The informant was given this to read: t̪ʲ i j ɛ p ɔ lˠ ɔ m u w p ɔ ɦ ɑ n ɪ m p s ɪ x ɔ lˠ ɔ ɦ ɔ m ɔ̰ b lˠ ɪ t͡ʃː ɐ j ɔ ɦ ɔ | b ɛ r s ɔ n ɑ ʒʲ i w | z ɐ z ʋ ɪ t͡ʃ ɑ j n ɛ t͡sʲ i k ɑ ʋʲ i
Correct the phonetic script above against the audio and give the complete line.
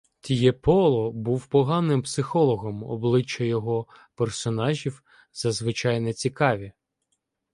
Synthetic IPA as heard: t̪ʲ i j ɛ p ɔ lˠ ɔ b u w p ɔ ɦ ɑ n ɪ m p s ɪ x ɔ lˠ ɔ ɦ ɔ m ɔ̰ b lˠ ɪ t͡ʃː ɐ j ɔ ɦ ɔ | p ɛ r s ɔ n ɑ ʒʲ i w | z ɐ z ʋ ɪ t͡ʃ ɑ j n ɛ t͡sʲ i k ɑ ʋʲ i